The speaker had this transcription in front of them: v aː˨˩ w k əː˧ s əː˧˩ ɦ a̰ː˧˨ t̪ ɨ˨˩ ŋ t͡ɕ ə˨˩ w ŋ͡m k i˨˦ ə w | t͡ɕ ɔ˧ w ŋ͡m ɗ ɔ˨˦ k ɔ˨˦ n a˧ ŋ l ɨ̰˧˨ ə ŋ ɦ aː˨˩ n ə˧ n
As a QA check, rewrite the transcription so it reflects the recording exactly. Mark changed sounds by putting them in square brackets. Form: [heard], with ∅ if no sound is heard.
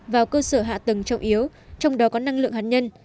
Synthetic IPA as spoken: v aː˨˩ w k əː˧ s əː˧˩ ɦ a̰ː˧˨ t̪ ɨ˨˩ ŋ t͡ɕ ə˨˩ w ŋ͡m [ʔ] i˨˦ ə w | t͡ɕ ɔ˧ w ŋ͡m ɗ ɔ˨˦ k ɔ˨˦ n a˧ ŋ l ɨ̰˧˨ ə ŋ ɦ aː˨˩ [ɲ] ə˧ n

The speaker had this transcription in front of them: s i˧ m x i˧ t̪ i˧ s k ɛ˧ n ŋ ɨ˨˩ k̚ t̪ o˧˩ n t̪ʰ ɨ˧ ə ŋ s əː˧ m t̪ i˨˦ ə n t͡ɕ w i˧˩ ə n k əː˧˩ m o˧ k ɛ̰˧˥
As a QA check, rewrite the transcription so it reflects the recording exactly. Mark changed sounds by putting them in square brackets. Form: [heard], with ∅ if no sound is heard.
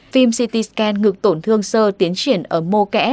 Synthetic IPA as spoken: [f] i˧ m [s] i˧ t̪ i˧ s k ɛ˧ n ŋ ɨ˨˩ k̚ t̪ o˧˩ n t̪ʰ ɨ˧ ə ŋ s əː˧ [∅] t̪ i˨˦ ə n t͡ɕ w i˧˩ ə n [ʔ] əː˧˩ m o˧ k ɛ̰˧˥

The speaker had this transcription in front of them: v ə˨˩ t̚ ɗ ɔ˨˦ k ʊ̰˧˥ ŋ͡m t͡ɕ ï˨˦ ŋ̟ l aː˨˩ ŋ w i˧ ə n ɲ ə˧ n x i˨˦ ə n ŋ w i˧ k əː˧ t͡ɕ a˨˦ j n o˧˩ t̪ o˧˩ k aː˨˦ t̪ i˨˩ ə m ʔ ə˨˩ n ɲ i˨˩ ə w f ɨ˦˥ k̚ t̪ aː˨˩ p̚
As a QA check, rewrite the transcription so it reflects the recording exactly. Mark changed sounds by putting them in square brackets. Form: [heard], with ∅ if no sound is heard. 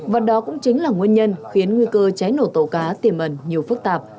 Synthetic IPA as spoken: v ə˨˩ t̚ ɗ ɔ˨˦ k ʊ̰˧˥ ŋ͡m t͡ɕ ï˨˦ ŋ̟ l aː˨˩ ŋ w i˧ ə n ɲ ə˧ n x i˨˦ ə n ŋ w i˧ k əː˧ t͡ɕ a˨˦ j n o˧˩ t̪ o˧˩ k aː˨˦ t̪ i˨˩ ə m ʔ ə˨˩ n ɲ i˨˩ ə w f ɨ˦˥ k̚ t̪ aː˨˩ p̚

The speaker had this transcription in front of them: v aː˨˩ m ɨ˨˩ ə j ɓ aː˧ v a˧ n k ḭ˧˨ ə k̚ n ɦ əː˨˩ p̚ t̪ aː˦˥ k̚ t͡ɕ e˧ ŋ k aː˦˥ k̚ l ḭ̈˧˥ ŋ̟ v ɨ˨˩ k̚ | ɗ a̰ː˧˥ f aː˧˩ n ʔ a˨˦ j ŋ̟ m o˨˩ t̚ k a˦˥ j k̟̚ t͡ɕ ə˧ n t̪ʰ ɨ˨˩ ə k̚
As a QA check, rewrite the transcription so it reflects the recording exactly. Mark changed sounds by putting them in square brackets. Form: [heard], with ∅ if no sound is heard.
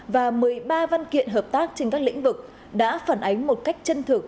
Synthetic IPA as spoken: v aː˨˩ m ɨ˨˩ ə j ɓ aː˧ v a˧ n k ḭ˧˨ ə [∅] n ɦ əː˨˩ p̚ t̪ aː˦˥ k̚ t͡ɕ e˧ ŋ k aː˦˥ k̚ l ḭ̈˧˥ ŋ̟ v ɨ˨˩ k̚ | ɗ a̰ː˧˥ f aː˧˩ n ʔ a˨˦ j ŋ̟ m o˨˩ t̚ k a˦˥ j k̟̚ t͡ɕ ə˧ n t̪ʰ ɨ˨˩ ə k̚

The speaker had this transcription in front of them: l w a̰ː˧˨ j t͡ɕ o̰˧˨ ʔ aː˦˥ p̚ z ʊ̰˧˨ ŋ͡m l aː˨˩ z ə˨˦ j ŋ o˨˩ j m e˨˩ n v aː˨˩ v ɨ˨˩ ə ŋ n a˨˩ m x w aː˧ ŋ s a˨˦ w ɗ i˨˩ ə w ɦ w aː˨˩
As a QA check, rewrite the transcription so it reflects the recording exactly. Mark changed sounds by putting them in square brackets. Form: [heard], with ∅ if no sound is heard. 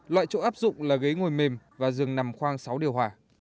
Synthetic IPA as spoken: l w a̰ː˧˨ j t͡ɕ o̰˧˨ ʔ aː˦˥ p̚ z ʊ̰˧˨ ŋ͡m l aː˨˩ [ɣ] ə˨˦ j ŋ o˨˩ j m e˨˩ [m] v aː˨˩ [z] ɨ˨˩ ə ŋ n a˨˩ m x w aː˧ ŋ s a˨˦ w ɗ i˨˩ ə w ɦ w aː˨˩

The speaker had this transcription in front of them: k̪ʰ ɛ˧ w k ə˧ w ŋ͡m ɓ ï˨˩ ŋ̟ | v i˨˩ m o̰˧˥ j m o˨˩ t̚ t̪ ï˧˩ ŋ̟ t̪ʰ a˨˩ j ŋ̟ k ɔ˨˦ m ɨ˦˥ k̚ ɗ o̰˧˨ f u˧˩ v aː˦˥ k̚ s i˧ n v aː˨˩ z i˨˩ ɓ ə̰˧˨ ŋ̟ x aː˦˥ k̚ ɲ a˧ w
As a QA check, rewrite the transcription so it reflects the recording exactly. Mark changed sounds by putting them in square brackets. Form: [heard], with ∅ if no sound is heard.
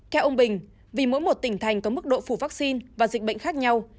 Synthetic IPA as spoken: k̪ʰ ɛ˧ w [ʔ] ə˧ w ŋ͡m ɓ ï˨˩ ŋ̟ | v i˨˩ m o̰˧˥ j m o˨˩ t̚ t̪ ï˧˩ ŋ̟ t̪ʰ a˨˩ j ŋ̟ k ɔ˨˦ m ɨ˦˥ k̚ ɗ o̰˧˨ f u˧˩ v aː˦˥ k̚ s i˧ n v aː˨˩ z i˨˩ ɓ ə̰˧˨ ŋ̟ x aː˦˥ k̚ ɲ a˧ w

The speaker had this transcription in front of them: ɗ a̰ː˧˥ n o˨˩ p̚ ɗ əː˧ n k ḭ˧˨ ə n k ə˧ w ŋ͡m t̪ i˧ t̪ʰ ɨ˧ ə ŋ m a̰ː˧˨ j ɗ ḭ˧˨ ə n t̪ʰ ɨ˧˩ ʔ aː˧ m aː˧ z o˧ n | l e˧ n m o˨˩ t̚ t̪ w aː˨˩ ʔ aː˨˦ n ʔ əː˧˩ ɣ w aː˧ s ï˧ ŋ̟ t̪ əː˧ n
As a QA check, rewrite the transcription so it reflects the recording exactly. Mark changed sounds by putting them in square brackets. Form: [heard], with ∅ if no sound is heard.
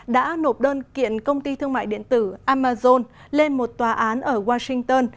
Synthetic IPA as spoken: ɗ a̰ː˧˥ n o˨˩ p̚ ɗ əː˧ n k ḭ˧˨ ə n k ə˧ w ŋ͡m t̪ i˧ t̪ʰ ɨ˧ ə ŋ m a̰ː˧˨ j ɗ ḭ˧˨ ə n [t̪] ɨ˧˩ ʔ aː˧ m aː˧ z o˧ n | l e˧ n m o˨˩ t̚ t̪ w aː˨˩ ʔ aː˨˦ n ʔ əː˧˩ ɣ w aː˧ s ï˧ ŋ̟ t̪ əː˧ n

